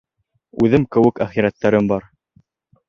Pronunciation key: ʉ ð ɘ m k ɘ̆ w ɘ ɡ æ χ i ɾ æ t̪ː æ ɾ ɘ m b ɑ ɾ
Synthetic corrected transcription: ʉ ð ɘ m k ɘ̆ w ɘ k æ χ i ɾ æ t̪ː æ ɾ ɘ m b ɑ ɾ